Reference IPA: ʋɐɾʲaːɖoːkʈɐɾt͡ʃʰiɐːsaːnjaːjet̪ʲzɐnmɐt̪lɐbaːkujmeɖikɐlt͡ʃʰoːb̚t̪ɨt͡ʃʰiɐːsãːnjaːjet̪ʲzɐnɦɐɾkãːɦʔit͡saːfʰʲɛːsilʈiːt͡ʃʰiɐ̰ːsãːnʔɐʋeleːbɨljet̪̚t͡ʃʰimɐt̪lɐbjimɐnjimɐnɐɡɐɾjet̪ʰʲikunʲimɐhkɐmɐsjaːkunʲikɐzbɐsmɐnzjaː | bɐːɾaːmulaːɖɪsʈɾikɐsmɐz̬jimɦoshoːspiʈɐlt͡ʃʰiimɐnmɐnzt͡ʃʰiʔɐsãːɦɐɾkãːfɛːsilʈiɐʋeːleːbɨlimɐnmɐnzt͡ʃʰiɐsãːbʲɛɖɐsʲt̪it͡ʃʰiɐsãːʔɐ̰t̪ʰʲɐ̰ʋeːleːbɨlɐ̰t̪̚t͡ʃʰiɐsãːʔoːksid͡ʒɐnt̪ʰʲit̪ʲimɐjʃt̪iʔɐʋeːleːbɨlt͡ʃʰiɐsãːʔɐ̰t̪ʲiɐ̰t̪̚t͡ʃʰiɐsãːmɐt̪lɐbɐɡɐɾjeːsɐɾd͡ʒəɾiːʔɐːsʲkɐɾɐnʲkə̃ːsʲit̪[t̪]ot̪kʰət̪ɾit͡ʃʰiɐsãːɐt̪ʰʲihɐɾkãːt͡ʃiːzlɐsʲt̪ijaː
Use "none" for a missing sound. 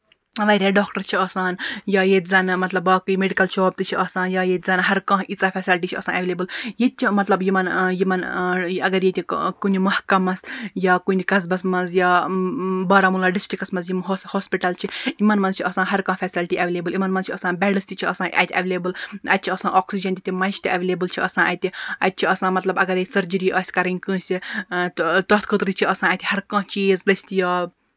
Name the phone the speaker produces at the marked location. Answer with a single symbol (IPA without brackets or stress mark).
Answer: t̪